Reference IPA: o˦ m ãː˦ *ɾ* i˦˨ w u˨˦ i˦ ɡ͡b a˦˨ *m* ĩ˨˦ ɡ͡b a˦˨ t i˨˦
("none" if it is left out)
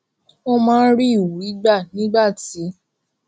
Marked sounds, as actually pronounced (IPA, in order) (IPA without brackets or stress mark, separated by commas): ɾ, n